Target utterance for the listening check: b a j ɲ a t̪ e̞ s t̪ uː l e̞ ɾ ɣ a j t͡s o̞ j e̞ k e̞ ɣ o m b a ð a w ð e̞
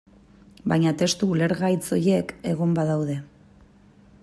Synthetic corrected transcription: b a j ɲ a t̪ e̞ s t̪ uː l e̞ ɾ ɣ a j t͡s o̞ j e̞ k e̞ ɣ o m b a ð a w ð e̞

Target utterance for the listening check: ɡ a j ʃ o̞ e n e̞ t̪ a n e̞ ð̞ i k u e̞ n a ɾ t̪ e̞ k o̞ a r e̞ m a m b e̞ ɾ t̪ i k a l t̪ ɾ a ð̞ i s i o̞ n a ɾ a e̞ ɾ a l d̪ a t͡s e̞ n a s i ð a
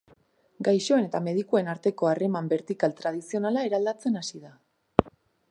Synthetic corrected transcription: ɡ a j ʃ o̞ e n e̞ t̪ a m e̞ ð̞ i k u e̞ n a ɾ t̪ e̞ k o̞ a r e̞ m a m b e̞ ɾ t̪ i k a l t̪ ɾ a ð̞ i s i o̞ n a l a e̞ ɾ a l d̪ a t͡s e̞ n a s i ð a

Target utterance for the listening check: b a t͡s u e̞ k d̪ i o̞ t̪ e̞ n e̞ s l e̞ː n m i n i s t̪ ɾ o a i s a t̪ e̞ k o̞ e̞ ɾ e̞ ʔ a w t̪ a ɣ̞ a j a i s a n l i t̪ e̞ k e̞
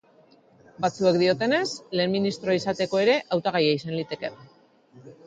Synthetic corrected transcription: b a t͡s u e̞ k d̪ i o̞ t̪ e̞ n e̞ s l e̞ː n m i n i s t̪ ɾ o a i s a t̪ e̞ k o̞ e̞ ɾ e̞ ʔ a w t̪ a ɣ̞ a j a i s a n l i t̪ e̞ k e̞

